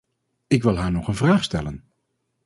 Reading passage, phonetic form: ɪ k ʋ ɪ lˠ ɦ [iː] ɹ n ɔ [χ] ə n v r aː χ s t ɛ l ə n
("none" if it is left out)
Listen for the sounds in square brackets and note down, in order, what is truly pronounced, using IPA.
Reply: aː, χ

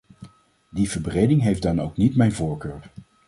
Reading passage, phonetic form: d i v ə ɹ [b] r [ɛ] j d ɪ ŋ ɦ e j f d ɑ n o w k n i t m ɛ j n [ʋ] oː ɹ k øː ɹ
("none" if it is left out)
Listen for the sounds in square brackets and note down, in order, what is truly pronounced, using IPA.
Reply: b, e, v

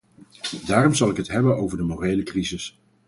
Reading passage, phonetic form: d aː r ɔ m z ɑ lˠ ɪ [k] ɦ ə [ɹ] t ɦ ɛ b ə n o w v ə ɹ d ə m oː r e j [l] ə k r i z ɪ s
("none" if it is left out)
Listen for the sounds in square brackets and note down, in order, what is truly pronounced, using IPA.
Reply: k, none, l

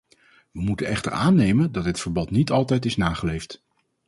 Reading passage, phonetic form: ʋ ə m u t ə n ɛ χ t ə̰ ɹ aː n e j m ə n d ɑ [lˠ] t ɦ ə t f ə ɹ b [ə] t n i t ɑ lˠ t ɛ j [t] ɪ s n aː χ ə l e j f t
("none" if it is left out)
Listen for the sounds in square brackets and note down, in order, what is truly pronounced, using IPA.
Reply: none, ɑ, t

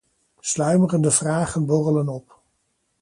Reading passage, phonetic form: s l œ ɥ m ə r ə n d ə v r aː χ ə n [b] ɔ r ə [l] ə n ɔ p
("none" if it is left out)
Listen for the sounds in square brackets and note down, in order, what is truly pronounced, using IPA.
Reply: b, l

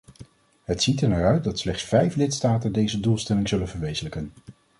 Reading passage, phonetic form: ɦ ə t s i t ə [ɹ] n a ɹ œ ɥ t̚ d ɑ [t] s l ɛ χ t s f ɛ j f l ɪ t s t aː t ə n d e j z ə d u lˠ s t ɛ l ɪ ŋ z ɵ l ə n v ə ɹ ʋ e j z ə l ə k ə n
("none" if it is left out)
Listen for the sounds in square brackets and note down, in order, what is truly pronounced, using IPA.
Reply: ɹ, t

